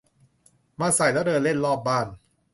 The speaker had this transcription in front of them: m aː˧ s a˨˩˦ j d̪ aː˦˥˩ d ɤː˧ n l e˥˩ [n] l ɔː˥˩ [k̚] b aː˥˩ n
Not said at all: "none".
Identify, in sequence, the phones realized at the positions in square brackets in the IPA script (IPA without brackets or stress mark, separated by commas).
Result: n, p̚